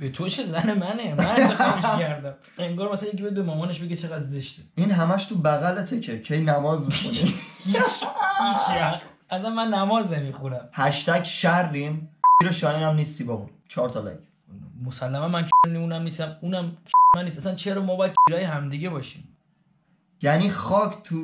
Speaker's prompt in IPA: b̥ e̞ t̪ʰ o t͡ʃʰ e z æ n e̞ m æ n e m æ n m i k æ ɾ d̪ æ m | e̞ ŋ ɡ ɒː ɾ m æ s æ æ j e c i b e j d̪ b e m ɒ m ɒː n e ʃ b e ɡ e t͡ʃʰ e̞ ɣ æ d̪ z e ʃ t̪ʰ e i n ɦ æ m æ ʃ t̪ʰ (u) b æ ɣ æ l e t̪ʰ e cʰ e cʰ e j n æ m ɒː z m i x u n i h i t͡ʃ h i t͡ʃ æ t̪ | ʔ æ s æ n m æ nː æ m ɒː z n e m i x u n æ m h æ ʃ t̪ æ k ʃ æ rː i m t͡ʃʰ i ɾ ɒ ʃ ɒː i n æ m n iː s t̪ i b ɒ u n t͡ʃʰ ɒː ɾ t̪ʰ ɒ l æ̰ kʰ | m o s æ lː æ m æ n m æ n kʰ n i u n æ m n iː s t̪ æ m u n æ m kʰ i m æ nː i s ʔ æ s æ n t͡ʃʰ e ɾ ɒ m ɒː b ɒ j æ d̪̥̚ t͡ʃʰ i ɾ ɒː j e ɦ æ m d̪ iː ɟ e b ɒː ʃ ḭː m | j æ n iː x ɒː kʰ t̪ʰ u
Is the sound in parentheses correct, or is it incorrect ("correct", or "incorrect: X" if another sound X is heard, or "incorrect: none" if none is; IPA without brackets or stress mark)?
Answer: correct